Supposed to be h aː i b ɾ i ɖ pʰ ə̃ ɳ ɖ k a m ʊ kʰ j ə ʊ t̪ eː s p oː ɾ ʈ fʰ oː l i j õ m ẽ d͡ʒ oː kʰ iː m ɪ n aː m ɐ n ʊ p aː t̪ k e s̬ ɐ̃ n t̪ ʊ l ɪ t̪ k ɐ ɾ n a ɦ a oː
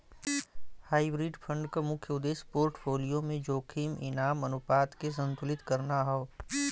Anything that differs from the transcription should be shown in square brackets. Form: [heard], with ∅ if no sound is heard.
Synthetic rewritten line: h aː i b ɾ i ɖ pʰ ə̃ ɳ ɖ k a m ʊ kʰ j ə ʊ [d̪] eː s p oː ɾ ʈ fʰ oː l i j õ m ẽ d͡ʒ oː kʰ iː m ɪ n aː m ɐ n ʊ p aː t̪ k e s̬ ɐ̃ n t̪ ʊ l ɪ t̪ k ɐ ɾ n a ɦ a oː